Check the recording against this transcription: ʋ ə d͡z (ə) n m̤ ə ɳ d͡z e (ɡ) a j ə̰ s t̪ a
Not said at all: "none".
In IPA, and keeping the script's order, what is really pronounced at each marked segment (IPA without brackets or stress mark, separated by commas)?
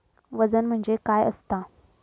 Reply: ə, k